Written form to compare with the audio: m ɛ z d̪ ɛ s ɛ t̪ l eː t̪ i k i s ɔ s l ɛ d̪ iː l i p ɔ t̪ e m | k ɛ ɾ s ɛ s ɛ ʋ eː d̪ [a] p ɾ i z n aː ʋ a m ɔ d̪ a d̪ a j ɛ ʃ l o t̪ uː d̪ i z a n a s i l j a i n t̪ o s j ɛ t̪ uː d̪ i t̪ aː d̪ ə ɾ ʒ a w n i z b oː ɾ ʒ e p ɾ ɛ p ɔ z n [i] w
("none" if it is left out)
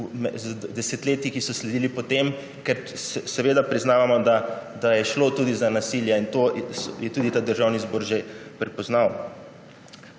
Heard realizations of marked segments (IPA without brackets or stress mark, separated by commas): a, a